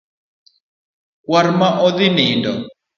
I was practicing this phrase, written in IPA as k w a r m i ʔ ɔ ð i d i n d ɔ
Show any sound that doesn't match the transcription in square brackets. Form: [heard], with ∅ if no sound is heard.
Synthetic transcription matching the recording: k w a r m [a] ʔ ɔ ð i [n] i n d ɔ